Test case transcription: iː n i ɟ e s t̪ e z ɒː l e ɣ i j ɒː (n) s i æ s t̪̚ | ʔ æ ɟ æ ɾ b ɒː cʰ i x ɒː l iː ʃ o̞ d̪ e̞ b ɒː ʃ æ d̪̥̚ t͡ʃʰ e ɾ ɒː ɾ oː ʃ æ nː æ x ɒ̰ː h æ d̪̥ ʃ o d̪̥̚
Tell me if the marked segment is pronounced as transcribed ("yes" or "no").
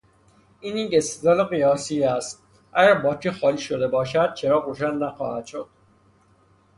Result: no